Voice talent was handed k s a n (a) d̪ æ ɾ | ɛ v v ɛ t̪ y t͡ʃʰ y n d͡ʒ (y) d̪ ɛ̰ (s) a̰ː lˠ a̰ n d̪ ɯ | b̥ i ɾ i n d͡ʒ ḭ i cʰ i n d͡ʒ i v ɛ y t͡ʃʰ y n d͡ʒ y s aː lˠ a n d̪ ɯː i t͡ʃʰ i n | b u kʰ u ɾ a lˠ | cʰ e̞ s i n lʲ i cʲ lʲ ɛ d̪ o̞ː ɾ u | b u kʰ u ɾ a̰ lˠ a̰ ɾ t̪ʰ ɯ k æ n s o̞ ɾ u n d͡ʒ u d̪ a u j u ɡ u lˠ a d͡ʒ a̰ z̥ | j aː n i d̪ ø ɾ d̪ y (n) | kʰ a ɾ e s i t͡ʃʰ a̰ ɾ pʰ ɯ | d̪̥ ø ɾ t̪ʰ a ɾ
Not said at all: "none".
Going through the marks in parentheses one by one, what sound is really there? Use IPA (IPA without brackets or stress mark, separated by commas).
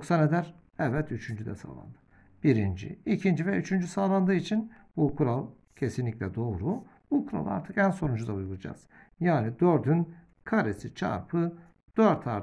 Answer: e, y, s, n